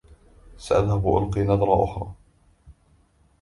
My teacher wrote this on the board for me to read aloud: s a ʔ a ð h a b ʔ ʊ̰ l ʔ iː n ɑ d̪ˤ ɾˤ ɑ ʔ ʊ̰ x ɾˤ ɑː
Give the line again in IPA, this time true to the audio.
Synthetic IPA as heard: s a ʔ a ð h a b ʔ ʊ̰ l q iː n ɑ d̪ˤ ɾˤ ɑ ʔ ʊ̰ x ɾˤ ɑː